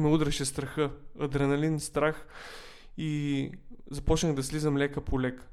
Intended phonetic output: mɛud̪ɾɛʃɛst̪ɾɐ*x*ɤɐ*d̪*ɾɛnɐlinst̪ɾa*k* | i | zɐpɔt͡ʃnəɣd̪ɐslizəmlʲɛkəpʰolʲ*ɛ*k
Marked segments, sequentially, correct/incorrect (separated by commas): correct, correct, incorrect, correct